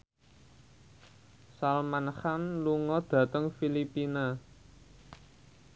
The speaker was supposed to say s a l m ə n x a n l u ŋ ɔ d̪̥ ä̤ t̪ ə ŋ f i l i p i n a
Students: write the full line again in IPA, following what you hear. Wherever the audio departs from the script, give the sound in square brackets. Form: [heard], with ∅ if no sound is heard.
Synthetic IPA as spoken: s a l m [a] n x a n l u ŋ ɔ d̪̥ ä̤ t̪ ə ŋ f i l i p i n a